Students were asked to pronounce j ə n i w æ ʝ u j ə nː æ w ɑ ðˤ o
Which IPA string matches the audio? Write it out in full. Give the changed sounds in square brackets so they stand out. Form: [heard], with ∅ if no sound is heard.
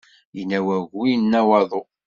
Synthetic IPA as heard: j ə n [æ] w æ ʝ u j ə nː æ w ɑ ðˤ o